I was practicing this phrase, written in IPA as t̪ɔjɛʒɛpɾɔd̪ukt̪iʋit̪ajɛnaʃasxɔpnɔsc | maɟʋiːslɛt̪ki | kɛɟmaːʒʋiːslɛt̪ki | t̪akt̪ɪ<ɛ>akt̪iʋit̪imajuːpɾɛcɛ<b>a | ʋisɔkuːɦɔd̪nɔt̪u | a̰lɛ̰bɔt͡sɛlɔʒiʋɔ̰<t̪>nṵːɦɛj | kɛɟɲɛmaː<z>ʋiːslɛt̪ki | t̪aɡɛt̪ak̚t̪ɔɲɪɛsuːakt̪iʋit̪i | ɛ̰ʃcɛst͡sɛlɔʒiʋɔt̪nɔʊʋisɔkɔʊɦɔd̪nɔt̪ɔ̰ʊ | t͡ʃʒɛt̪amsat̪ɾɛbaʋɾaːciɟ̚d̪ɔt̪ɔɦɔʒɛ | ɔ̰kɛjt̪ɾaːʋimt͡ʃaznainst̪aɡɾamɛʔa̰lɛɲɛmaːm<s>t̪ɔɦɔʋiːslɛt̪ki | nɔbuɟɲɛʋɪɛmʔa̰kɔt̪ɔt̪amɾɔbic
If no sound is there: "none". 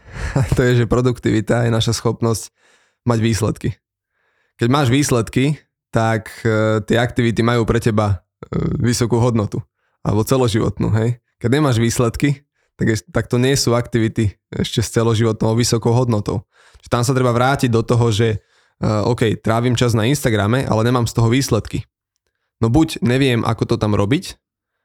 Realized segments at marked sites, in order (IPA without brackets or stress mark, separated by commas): ɛ, b, t̪, ʒ, s